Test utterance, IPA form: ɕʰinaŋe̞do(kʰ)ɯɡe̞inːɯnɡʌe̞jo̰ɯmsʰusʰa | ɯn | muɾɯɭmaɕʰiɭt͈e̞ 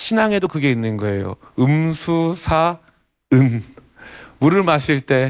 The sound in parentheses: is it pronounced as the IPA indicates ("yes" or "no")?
no